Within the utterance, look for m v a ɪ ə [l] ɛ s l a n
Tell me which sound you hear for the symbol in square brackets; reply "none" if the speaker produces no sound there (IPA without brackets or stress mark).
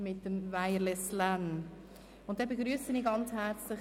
l